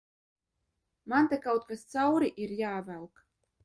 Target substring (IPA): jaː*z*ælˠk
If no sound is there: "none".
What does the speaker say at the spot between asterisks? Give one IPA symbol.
v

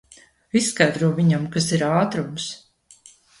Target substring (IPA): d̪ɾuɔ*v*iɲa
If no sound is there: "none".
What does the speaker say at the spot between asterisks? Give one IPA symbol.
v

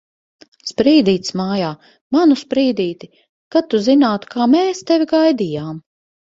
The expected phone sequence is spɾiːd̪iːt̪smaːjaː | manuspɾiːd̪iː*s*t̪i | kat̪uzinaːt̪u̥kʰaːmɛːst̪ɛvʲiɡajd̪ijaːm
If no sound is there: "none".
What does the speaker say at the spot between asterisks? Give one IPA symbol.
none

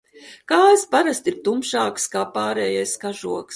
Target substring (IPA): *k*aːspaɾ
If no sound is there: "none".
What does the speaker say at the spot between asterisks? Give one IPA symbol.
k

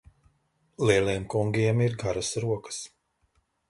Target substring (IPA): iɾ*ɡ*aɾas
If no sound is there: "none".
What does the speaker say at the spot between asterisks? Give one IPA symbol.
ɡ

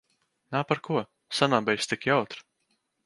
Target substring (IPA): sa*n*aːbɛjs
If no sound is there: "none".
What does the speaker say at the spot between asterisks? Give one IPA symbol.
n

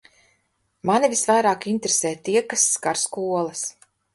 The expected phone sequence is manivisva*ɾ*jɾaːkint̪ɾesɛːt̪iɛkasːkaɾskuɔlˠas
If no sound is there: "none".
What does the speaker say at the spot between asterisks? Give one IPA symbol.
none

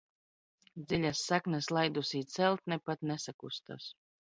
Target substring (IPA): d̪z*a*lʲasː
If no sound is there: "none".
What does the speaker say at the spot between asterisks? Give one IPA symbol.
i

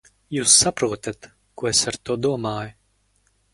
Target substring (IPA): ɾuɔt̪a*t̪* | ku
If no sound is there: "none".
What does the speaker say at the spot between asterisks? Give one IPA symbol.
t̪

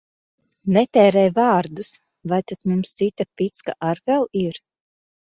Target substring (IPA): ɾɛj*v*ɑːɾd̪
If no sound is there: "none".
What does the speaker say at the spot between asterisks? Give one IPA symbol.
v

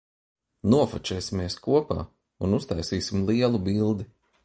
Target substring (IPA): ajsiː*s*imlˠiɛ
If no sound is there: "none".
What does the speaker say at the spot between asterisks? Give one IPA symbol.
s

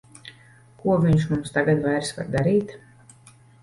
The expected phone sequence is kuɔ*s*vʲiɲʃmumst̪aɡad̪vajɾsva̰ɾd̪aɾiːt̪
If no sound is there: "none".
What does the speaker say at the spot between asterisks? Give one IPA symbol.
none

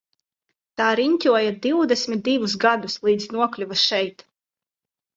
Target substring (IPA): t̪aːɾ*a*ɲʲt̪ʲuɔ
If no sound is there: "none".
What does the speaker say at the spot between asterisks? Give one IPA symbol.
i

